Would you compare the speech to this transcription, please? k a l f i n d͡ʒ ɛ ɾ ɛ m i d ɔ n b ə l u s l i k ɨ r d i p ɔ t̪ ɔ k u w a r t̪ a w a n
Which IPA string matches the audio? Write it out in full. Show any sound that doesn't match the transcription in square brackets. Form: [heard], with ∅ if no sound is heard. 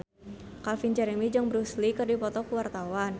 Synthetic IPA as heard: k a l f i n d͡ʒ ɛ ɾ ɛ m i [d͡ʒ] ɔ [ŋ] b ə [ɾ] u s l i k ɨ r d i p ɔ t̪ ɔ k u w a r t̪ a w a n